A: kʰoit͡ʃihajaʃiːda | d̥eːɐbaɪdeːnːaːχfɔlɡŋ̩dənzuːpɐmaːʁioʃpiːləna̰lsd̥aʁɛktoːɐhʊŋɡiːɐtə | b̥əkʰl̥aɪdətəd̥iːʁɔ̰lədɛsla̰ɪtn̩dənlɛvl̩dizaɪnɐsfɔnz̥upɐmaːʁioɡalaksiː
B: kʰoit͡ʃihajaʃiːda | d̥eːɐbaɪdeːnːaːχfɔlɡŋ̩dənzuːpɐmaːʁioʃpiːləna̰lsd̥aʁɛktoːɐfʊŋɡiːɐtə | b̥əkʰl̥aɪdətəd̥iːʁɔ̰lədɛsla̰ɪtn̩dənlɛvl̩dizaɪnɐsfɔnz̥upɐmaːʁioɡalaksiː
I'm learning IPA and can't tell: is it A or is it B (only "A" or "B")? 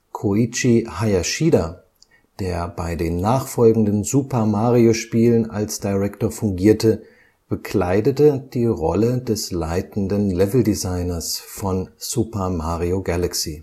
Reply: B